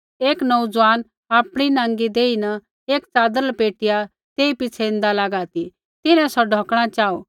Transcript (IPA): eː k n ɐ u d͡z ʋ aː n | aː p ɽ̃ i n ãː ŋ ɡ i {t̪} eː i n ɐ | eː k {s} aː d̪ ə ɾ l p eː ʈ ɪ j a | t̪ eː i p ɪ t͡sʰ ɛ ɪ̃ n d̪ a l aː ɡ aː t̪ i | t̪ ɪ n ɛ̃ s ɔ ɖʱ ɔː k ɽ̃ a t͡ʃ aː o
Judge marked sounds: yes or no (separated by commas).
no, no